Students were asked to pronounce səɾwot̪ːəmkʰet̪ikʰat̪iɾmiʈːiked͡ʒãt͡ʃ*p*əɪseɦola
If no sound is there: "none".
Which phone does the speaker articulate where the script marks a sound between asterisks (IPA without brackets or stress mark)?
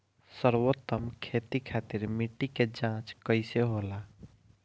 k